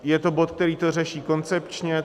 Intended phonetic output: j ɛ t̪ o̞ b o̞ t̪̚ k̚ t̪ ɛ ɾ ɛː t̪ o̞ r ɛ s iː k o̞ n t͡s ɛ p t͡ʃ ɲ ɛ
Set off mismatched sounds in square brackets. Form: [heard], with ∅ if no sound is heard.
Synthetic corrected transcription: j ɛ t̪ o̞ b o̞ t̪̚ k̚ t̪ ɛ ɾ [iː] t̪ o̞ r ɛ [ʃ] iː k o̞ n t͡s ɛ p t͡ʃ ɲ ɛ